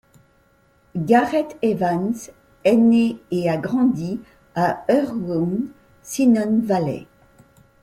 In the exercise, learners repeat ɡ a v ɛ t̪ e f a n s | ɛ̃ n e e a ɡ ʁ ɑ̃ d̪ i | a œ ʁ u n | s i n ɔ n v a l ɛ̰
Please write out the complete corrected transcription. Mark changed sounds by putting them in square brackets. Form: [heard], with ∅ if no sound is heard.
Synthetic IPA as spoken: ɡ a [ʁ] ɛ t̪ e [v] a n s | [ɛ] n e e a ɡ ʁ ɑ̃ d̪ i | a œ ʁ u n | s i n ɔ n v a l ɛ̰